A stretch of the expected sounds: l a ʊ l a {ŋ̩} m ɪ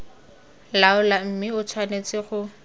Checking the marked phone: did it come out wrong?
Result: yes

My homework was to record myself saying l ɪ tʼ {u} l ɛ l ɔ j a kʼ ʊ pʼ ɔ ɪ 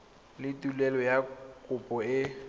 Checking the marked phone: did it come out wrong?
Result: no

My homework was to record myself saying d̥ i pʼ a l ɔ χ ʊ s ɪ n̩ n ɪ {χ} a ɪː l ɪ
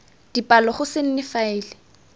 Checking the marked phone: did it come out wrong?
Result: yes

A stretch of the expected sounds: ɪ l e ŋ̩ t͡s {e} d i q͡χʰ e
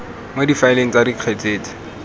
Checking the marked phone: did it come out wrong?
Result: yes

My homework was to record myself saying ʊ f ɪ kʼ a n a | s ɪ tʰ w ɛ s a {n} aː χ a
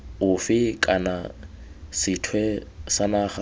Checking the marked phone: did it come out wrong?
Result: no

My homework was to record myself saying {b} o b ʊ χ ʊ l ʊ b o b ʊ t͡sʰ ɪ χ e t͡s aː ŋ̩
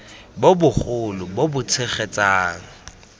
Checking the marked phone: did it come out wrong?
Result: no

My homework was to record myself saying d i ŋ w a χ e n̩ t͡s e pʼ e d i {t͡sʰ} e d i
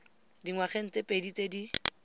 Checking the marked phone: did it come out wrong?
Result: yes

